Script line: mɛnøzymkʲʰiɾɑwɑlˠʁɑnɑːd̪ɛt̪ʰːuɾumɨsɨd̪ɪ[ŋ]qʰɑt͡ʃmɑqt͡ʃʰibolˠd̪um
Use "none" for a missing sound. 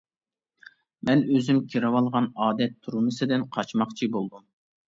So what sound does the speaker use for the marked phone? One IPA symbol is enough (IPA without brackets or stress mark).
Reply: n